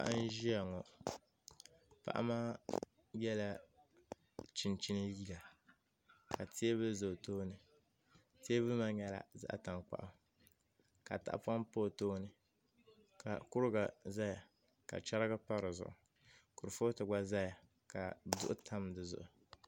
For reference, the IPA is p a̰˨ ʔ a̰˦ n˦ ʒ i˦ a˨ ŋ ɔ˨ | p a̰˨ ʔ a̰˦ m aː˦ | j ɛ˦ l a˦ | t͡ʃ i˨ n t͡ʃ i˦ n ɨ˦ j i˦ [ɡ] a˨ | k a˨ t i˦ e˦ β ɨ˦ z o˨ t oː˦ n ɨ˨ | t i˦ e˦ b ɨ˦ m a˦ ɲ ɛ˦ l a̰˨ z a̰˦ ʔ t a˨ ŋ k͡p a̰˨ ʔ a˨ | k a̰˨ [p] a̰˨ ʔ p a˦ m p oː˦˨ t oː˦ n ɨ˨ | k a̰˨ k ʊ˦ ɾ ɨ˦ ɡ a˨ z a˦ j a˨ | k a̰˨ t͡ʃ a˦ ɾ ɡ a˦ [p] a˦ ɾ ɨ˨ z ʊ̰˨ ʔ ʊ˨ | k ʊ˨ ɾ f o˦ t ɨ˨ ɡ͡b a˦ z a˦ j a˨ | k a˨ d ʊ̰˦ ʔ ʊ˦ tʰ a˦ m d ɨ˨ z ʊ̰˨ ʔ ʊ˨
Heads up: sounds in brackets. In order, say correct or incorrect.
correct, incorrect: t, correct

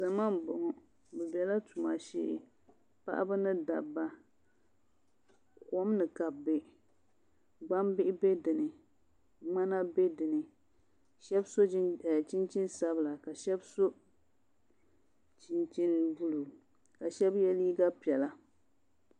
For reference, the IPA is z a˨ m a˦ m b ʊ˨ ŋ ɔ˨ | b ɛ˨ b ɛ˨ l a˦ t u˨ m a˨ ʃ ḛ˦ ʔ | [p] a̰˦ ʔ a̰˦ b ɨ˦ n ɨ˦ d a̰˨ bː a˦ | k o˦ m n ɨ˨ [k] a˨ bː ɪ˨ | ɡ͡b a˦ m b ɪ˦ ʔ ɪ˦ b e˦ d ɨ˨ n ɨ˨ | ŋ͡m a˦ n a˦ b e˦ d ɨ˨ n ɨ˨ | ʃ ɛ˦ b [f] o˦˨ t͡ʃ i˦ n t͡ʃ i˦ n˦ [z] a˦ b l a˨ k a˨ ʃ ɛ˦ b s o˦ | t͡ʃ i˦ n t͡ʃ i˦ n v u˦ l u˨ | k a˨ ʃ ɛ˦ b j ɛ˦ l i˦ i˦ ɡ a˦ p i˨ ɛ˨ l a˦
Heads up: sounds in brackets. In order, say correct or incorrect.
correct, correct, incorrect: s, incorrect: s

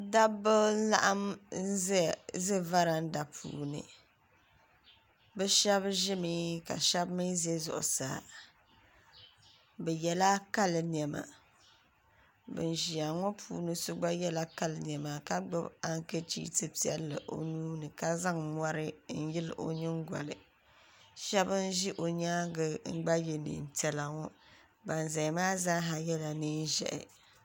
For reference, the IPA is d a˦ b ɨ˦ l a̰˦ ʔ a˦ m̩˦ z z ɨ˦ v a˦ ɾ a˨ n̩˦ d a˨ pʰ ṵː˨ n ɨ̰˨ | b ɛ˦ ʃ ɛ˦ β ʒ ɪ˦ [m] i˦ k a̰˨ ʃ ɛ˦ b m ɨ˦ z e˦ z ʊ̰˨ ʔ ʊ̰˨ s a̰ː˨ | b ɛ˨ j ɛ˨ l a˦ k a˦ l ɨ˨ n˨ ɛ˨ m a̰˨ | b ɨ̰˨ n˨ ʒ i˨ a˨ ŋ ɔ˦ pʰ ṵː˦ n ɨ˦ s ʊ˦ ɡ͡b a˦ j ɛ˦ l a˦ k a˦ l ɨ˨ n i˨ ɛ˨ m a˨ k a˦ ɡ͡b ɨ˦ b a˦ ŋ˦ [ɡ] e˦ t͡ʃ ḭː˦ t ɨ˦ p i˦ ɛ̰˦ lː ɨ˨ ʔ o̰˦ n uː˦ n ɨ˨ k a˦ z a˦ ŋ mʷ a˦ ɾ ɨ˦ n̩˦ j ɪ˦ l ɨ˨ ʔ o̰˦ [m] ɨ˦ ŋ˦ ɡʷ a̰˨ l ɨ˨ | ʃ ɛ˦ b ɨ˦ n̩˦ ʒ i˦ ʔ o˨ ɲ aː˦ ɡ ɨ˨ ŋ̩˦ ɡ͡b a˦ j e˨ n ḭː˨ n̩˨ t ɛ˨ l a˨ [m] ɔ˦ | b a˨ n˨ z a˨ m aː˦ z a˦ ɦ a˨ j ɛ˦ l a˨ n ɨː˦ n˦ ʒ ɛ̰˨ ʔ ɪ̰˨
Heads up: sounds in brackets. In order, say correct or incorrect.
correct, incorrect: k, incorrect: ɲ, incorrect: ŋ

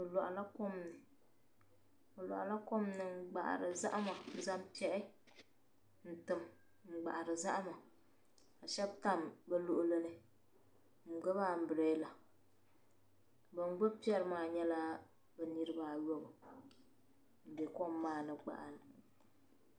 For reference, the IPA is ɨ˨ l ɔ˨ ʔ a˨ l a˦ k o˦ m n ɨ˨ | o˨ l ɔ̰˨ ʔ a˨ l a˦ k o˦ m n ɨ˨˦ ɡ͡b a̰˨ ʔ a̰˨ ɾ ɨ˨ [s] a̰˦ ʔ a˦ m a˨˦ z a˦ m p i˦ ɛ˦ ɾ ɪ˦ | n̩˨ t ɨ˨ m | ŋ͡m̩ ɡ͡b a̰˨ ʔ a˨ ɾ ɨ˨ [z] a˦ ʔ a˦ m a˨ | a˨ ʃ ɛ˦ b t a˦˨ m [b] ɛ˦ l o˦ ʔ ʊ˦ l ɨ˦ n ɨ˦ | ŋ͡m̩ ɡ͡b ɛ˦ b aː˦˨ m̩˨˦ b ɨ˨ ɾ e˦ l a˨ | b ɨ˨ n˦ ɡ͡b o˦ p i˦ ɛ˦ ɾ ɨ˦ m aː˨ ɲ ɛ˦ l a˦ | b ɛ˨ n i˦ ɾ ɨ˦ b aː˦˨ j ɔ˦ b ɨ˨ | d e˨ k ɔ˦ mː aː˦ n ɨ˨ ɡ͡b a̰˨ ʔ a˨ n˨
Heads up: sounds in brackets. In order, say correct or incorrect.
incorrect: z, correct, correct

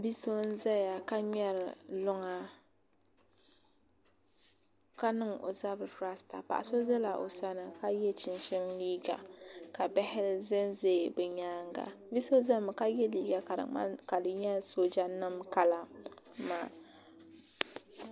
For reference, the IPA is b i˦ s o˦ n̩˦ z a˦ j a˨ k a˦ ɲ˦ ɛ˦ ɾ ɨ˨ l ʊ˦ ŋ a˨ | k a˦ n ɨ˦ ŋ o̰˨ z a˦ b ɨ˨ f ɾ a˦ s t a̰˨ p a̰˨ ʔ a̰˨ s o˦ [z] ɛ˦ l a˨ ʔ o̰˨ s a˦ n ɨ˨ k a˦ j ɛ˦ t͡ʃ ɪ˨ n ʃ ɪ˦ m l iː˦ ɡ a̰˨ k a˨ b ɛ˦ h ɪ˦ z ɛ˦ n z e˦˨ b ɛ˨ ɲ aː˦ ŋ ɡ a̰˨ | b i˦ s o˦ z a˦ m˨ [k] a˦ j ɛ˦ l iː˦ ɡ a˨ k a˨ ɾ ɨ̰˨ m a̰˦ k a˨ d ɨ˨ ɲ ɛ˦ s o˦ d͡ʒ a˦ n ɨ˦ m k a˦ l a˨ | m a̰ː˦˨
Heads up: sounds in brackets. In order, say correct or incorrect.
correct, correct

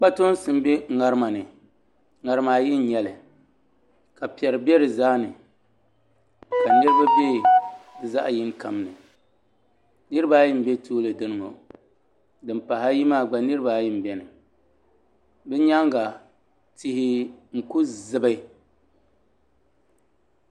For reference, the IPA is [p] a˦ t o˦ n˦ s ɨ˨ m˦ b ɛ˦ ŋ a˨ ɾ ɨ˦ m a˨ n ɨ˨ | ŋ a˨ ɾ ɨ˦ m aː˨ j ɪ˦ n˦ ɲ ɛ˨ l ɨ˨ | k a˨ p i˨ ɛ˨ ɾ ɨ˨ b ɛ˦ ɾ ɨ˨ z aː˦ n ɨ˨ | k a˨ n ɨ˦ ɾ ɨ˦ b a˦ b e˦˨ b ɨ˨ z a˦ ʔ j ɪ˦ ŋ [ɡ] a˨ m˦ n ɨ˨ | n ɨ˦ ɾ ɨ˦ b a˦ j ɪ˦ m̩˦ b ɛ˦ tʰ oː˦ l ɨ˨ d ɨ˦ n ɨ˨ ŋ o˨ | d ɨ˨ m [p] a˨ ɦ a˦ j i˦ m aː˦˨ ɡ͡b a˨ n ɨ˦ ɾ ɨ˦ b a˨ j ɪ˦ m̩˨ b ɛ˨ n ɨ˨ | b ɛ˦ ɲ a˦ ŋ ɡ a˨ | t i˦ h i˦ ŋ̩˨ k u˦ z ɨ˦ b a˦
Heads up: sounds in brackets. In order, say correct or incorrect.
incorrect: k͡p, incorrect: k, correct

